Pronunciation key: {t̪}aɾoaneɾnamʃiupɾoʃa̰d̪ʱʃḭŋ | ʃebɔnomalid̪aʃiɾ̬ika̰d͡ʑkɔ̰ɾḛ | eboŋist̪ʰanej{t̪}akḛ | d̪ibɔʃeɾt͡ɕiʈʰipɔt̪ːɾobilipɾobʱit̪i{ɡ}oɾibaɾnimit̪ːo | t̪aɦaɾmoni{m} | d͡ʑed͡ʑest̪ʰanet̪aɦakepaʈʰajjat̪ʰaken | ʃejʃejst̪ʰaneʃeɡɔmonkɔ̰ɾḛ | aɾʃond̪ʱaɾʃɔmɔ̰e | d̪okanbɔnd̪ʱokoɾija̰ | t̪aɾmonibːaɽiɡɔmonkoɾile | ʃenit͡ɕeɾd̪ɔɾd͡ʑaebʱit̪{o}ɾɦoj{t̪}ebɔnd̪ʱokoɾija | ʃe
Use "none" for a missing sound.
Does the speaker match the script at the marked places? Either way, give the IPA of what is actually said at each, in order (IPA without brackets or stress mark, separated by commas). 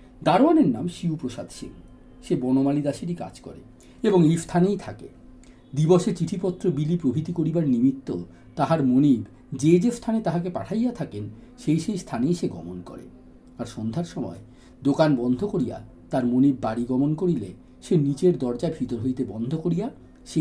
d̪, t̪ʰ, k, b, o, t̪